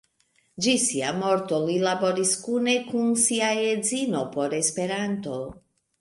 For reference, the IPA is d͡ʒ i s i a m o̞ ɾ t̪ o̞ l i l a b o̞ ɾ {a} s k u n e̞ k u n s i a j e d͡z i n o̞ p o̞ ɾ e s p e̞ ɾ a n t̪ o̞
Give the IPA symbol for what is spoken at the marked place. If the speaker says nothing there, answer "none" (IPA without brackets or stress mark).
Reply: i